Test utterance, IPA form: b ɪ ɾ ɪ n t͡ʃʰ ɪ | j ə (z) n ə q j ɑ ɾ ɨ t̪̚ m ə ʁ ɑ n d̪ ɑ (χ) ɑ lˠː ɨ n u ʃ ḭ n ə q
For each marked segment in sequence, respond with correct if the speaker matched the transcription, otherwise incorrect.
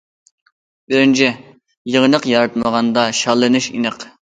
incorrect, incorrect

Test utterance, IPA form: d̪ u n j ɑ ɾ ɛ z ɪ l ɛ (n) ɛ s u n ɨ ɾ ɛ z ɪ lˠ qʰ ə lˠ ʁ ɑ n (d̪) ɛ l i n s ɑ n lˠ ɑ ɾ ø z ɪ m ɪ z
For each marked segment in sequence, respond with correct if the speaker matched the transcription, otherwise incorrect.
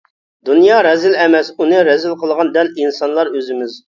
incorrect, correct

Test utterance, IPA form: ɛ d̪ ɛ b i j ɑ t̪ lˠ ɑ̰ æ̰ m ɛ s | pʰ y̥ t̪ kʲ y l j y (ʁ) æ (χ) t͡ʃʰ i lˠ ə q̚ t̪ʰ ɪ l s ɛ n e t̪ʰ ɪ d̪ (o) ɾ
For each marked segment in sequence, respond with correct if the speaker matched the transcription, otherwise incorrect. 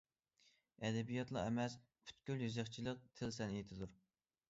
incorrect, correct, incorrect

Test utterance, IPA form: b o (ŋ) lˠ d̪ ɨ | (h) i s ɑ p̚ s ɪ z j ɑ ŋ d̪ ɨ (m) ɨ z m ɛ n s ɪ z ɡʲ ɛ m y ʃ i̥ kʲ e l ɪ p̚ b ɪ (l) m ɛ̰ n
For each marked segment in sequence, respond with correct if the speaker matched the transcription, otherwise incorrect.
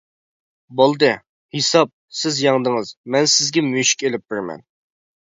incorrect, correct, incorrect, incorrect

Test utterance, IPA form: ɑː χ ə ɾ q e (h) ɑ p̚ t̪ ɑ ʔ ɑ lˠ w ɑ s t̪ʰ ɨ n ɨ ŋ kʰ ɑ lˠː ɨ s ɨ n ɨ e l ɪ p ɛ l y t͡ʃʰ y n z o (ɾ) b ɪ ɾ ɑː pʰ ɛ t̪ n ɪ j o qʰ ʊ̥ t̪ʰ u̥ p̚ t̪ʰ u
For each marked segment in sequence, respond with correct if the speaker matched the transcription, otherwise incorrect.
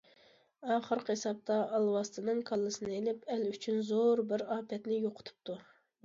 incorrect, correct

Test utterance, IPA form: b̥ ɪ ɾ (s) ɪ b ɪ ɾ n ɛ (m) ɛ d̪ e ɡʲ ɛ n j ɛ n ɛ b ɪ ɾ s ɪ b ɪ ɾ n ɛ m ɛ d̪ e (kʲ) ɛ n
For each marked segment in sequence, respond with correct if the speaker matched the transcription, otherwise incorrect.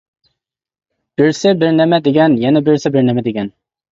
correct, correct, incorrect

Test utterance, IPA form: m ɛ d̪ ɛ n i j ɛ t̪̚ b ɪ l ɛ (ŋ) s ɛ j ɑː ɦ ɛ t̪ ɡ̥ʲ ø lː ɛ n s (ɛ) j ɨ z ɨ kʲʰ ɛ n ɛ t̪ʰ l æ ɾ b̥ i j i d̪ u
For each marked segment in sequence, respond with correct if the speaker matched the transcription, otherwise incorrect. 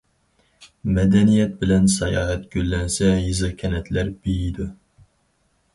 incorrect, correct

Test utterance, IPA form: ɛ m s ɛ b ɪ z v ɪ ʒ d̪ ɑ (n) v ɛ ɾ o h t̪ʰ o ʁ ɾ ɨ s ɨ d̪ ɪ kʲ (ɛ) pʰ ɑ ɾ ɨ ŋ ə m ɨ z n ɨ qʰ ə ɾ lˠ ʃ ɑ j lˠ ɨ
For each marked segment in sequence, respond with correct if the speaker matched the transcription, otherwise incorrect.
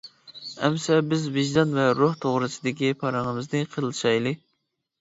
correct, incorrect

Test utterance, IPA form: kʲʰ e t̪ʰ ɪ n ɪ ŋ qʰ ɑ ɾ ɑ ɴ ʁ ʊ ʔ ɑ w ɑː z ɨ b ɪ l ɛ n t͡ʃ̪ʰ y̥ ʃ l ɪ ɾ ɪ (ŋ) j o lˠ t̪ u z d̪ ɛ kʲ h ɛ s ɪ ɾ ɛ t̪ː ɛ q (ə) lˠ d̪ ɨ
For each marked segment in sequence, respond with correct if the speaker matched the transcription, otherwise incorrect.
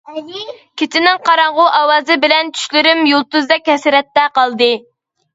incorrect, incorrect

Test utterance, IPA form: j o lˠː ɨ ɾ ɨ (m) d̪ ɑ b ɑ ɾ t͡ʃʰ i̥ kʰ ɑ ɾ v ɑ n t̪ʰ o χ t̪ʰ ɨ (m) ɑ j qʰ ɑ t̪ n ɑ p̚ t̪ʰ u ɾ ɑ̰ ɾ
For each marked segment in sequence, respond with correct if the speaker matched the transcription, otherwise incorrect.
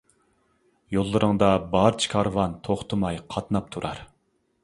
incorrect, correct

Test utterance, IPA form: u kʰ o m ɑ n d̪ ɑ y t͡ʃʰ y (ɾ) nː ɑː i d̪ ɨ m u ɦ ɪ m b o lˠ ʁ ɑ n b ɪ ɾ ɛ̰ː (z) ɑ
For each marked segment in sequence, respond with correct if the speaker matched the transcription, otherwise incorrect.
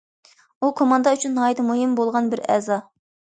incorrect, correct

